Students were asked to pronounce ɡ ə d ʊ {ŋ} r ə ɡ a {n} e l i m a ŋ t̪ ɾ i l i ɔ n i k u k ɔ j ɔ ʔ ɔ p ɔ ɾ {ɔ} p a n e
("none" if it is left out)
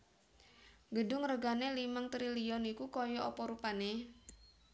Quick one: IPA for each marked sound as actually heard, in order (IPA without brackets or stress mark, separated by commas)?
ŋ, n, u